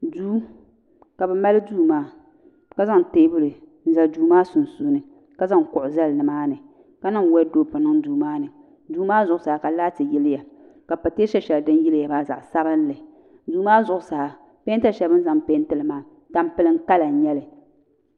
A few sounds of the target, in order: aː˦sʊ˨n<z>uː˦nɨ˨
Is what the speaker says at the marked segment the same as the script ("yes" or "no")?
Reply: no